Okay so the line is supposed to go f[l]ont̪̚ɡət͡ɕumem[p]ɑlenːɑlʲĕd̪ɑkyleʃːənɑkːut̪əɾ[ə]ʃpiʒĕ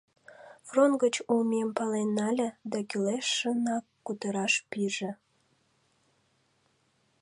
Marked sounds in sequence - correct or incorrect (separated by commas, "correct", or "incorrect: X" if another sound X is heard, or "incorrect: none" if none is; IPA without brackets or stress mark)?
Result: incorrect: r, correct, incorrect: ɑ